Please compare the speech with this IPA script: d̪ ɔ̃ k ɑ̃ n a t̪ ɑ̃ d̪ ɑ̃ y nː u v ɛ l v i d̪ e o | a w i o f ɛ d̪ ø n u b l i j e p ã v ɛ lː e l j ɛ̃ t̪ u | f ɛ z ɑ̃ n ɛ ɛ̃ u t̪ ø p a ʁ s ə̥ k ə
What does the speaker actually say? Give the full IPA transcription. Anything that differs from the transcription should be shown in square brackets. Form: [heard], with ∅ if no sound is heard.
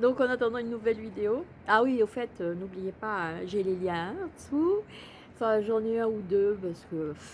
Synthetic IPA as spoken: d̪ ɔ̃ k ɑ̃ n a t̪ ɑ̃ d̪ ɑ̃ y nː u v ɛ l v i d̪ e o | a w i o f ɛ [t̪] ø n u b l i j e p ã [ʒ] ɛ [l] e l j ɛ̃ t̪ u | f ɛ [ʒ] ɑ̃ n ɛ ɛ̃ u [d̪] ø p a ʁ s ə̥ k ə

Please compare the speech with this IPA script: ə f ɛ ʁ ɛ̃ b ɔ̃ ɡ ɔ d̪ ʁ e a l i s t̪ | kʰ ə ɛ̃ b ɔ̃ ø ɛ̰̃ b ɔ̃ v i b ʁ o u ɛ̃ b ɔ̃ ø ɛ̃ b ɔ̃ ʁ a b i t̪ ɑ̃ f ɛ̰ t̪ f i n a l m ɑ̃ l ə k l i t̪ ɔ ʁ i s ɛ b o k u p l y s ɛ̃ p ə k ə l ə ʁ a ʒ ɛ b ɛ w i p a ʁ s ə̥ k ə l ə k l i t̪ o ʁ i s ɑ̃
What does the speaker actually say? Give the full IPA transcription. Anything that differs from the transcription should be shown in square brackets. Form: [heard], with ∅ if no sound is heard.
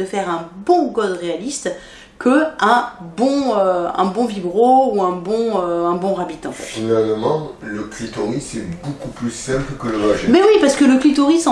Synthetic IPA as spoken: ə f ɛ ʁ ɛ̃ b ɔ̃ ɡ ɔ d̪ ʁ e a l i s t̪ | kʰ ə ɛ̃ b ɔ̃ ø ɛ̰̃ b ɔ̃ v i b ʁ o u ɛ̃ b ɔ̃ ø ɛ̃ b ɔ̃ ʁ a b i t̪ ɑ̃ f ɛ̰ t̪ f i n a l m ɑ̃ l ə k l i t̪ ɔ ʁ i s ɛ b o k u p l y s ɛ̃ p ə k ə l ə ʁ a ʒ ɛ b ɛ w i p a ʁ s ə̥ k ə l ə k l i t̪ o ʁ i s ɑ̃

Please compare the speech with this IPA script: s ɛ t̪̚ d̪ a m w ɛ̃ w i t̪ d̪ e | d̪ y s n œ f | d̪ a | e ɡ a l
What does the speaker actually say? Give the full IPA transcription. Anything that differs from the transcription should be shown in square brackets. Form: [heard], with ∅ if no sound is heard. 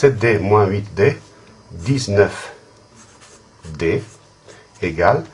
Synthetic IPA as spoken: s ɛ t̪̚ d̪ [e] m w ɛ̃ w i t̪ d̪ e | d̪ [i] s n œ f | d̪ [e] | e ɡ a l

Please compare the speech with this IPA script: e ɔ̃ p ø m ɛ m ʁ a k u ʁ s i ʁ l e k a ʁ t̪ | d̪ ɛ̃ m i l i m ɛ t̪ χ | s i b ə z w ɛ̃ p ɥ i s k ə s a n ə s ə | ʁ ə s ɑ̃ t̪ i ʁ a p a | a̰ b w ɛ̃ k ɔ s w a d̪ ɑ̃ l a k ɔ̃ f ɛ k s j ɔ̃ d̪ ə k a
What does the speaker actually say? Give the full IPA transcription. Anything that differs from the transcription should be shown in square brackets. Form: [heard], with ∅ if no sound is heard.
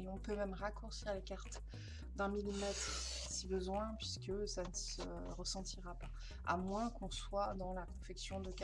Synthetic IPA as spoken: e ɔ̃ p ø m ɛ m ʁ a k u ʁ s i ʁ l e k a ʁ t̪ | d̪ ɛ̃ m i l i m ɛ t̪ χ | s i b ə z w ɛ̃ p ɥ i s k ə s a n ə s ə | ʁ ə s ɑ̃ t̪ i ʁ a p a | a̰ [m] w ɛ̃ k [ɔ̃] s w a d̪ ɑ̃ l a k ɔ̃ f ɛ k s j ɔ̃ d̪ ə k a

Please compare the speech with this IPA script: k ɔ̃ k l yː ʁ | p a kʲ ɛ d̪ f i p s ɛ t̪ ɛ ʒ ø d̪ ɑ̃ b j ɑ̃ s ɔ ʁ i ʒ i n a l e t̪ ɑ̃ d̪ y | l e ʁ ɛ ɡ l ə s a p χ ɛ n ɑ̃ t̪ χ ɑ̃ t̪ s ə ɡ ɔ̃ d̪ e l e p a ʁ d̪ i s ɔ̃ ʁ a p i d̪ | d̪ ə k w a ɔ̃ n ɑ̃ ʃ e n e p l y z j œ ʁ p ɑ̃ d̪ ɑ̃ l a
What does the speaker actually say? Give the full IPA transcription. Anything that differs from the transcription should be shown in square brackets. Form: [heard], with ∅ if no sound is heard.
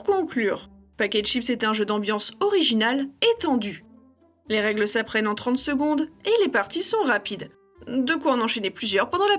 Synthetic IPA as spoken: k ɔ̃ k l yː ʁ | p a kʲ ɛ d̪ [ʃ] i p s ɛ t̪ [ɛ̃] ʒ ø d̪ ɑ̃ b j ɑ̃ s ɔ ʁ i ʒ i n a l e t̪ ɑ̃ d̪ y | l e ʁ ɛ ɡ l ə s a p χ ɛ n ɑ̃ t̪ χ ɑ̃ t̪ s ə ɡ ɔ̃ d̪ e l e p a ʁ [t̪] i s ɔ̃ ʁ a p i d̪ | d̪ ə k w a ɔ̃ n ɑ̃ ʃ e n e p l y z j œ ʁ p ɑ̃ d̪ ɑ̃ l a

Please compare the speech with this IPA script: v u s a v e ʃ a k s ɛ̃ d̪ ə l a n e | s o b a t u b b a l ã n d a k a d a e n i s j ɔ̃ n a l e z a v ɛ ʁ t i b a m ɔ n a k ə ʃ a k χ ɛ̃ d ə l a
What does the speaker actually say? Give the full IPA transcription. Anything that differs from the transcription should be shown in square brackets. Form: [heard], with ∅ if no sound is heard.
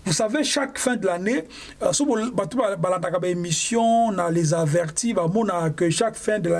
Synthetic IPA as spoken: v u s a v e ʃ a k [f] ɛ̃ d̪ ə l a n e | s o b a t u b b a l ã n d a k a [b] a e [m] i s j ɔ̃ n a l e z a v ɛ ʁ t i b a m ɔ n a k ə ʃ a k [f] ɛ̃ d ə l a

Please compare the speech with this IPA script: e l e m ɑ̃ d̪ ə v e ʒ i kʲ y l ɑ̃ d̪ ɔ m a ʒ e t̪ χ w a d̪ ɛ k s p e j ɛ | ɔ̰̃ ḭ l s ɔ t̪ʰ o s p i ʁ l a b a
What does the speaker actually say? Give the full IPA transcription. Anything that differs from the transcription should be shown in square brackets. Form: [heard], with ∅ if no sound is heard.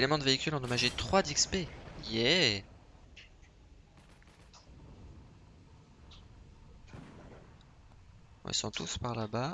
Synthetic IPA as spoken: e l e m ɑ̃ d̪ ə v e [∅] i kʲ y l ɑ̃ d̪ ɔ m a ʒ e t̪ χ w a d̪ [i] k s p e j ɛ | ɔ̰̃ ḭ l s [ɔ̃] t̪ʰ [u] s p [a] ʁ l a b a

